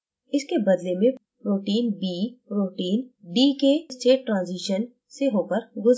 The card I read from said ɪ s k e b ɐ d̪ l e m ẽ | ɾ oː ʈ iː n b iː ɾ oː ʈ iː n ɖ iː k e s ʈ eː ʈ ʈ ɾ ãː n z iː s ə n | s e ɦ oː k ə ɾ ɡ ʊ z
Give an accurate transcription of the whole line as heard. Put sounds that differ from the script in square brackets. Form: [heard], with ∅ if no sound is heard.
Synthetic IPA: ɪ s k e b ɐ d̪ l e m ẽ | ɾ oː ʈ iː n b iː ɾ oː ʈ iː n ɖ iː k e s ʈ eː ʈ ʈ ɾ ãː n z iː [ʃ] ə n | s e ɦ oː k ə ɾ ɡ ʊ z